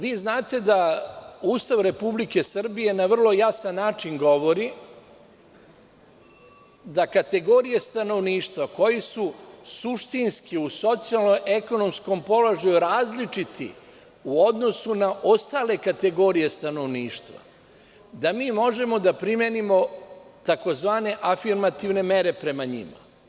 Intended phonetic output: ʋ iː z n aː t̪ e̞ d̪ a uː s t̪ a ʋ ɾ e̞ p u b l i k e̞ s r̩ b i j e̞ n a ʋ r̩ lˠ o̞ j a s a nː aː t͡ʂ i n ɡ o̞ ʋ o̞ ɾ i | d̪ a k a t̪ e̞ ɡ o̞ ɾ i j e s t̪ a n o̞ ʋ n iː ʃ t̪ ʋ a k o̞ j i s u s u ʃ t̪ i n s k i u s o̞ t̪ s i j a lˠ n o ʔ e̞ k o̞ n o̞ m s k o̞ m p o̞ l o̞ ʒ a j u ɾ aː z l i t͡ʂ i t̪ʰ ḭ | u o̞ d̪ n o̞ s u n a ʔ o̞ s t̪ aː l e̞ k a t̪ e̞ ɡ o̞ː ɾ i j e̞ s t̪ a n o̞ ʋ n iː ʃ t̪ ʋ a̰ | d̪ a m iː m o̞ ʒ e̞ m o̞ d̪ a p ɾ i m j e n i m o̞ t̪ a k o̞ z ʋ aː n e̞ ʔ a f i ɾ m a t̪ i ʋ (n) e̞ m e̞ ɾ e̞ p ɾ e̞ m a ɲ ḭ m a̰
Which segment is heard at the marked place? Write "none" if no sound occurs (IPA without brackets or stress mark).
n